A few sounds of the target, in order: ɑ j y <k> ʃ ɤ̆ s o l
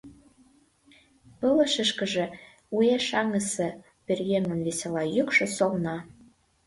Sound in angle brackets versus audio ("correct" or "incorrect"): correct